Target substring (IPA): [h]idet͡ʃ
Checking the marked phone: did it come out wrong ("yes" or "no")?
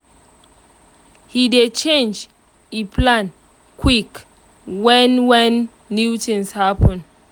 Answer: no